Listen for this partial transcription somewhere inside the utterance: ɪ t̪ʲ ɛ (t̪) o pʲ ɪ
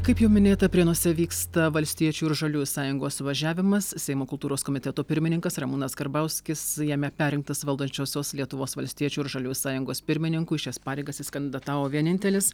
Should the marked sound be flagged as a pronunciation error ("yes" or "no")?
no